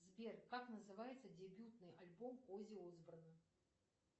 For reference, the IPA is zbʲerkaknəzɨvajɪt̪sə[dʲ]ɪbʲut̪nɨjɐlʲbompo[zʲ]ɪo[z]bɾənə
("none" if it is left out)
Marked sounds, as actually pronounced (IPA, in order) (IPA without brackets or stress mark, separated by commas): dʲ, zʲ, z